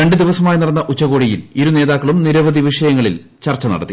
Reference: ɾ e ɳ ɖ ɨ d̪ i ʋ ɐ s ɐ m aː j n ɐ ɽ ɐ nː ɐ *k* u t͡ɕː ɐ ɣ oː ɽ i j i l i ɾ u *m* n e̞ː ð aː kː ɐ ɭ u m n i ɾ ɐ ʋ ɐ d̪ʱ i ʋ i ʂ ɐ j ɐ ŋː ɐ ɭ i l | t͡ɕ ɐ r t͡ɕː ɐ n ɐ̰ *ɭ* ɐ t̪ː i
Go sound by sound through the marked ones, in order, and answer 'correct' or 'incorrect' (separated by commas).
incorrect, incorrect, incorrect